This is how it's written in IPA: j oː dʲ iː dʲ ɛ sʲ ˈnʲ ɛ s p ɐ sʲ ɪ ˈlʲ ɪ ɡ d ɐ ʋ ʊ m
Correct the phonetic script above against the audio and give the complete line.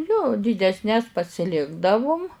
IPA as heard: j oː dʲ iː dʲ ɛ sʲ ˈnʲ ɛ s p ɐ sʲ ɪ ˈlʲ ɪ ɡ d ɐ ʋ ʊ m